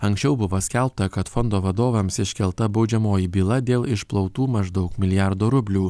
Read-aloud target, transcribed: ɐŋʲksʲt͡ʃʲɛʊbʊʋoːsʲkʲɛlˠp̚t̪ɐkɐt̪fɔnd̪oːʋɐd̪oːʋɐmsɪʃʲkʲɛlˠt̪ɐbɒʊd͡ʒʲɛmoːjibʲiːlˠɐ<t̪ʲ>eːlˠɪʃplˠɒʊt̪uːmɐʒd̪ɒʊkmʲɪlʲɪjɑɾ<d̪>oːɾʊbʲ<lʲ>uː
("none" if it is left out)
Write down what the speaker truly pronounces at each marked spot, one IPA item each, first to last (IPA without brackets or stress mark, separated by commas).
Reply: d̪ʲ, d̪, lʲ